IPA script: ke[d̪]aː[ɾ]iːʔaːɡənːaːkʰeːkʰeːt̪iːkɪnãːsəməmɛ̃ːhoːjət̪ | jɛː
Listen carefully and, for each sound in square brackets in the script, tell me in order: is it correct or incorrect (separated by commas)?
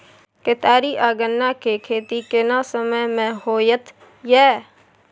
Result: incorrect, correct